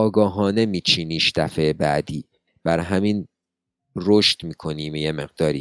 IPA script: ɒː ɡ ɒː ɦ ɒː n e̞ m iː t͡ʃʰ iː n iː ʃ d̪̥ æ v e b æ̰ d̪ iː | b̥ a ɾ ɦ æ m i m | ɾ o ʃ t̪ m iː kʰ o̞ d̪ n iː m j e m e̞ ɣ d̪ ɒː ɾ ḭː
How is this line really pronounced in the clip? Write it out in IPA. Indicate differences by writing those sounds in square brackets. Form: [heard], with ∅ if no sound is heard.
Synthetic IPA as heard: ɒː ɡ ɒː ɦ ɒː n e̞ m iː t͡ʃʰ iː n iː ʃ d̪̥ æ [f] e b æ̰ d̪ iː | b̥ [æ] ɾ ɦ æ m i [n] | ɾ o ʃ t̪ m iː kʰ o̞ [∅] n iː m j e m e̞ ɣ d̪ ɒː ɾ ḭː